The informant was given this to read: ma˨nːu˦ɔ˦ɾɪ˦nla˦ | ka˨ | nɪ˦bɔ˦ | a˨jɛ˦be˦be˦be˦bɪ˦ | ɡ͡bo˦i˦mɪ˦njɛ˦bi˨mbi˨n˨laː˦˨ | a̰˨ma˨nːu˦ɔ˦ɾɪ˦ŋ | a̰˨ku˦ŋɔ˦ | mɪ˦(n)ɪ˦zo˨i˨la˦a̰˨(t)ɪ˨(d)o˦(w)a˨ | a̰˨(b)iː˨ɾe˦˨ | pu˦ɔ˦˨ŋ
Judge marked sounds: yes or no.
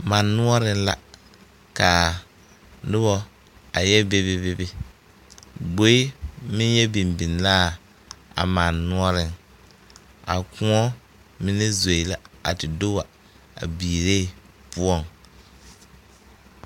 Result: yes, yes, yes, yes, yes

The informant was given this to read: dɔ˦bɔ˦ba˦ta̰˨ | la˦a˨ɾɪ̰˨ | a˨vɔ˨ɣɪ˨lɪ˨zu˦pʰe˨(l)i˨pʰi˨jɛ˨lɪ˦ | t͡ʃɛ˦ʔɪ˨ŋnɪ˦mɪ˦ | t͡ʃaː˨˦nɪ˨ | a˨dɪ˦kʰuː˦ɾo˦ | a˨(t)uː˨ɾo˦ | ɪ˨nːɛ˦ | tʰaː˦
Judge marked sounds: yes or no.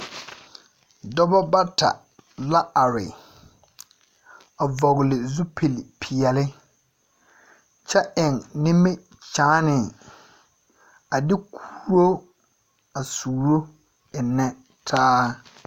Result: yes, no

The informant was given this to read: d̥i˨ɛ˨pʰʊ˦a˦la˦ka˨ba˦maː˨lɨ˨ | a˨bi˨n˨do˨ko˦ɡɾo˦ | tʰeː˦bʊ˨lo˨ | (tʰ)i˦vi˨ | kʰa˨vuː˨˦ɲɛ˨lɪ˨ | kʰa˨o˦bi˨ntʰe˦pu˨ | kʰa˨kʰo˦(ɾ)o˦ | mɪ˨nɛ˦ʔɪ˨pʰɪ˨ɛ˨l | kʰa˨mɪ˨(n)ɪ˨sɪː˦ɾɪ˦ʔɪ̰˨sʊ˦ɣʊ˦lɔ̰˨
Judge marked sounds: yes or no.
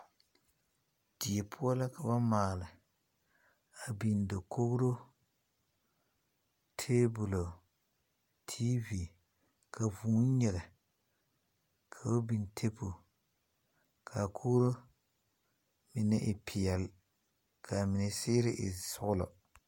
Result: yes, yes, yes

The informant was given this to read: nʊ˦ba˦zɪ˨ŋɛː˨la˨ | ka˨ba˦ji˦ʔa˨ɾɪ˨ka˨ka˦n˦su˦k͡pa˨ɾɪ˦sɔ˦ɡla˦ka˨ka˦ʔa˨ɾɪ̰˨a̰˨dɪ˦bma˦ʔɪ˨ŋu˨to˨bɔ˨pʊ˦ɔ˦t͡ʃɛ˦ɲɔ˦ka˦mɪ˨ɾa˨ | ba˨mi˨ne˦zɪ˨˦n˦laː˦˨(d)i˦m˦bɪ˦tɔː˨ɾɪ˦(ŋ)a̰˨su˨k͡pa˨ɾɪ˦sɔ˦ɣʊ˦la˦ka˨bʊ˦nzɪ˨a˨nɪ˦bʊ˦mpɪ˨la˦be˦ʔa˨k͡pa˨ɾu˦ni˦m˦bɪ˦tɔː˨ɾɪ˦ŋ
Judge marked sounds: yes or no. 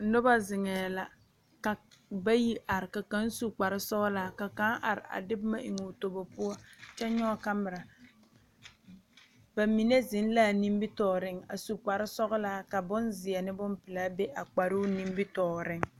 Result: no, yes

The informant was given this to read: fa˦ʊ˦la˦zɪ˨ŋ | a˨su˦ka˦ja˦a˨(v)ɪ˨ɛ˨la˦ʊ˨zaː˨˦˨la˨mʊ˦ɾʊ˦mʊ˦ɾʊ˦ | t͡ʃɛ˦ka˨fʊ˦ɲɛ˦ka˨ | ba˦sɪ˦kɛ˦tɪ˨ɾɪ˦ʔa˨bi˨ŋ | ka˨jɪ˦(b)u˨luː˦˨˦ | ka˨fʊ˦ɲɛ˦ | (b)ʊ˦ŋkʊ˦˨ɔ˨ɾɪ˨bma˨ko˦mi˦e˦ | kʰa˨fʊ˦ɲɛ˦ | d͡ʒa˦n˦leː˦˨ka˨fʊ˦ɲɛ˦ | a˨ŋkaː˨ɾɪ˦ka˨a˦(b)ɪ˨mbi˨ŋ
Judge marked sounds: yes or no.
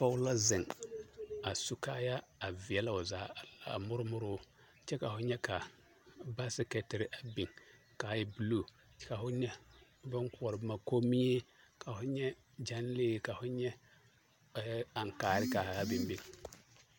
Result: yes, yes, yes, yes

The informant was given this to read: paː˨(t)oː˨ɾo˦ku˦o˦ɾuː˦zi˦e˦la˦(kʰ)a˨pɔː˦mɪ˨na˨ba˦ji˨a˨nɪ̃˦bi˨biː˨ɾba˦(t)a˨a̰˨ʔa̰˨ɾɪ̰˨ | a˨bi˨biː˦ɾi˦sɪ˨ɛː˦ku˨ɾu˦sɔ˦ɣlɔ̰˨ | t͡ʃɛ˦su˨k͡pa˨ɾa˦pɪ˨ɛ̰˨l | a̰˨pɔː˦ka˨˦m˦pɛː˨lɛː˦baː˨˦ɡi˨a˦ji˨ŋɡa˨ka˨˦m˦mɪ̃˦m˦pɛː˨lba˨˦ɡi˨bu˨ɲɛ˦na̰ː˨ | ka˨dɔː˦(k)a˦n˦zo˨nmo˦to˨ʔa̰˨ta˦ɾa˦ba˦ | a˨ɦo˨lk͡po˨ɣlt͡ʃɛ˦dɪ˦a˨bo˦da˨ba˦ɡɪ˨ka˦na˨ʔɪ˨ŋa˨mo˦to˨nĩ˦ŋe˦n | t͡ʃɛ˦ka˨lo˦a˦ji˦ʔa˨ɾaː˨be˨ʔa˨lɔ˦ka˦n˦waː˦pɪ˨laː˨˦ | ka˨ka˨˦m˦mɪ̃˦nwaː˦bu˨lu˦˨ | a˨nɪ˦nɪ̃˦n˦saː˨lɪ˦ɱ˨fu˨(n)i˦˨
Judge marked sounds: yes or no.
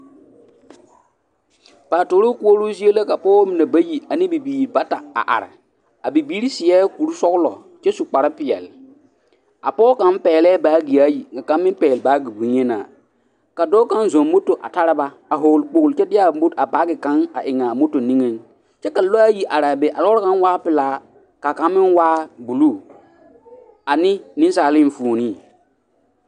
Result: yes, no, yes, yes, yes

